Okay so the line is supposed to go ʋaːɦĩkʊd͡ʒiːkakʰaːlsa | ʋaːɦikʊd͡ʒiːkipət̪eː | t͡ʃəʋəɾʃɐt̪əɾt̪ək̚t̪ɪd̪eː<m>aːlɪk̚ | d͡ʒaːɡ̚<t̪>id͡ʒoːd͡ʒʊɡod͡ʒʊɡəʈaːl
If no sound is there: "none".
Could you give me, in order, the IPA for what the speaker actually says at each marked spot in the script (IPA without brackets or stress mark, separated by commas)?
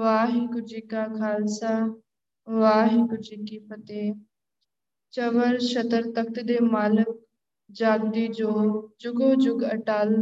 m, d̪